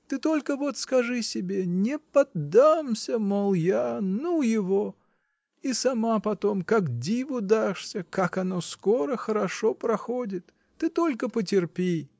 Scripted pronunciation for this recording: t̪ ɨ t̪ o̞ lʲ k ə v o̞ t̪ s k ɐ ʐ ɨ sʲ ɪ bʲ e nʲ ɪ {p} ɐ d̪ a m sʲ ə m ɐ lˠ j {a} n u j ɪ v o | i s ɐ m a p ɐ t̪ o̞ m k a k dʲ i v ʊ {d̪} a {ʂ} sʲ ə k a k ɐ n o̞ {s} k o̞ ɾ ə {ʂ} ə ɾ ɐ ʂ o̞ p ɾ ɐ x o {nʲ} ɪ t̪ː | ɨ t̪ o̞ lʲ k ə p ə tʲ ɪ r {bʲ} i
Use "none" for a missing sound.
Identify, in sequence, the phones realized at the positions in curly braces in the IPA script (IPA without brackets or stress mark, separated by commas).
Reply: p, a, d̪, ʂ, s, x, dʲ, pʲ